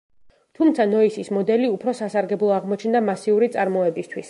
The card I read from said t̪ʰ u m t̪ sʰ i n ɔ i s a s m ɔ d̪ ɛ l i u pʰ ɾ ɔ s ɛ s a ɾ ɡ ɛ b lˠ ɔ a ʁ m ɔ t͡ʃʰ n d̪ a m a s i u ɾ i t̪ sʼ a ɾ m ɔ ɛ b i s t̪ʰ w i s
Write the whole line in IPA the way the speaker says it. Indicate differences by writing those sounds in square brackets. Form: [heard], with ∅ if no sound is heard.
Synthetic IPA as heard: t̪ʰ u m t̪ sʰ [a] n ɔ i s [i] s m ɔ d̪ ɛ l i u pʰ ɾ ɔ s [a] s a ɾ ɡ ɛ b lˠ ɔ a ʁ m ɔ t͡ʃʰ n d̪ a m a s i u ɾ i t̪ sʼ a ɾ m ɔ ɛ b i s t̪ʰ w i s